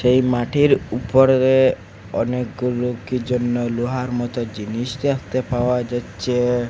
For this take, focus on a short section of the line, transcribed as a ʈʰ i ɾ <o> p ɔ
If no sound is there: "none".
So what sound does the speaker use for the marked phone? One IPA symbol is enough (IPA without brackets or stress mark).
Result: u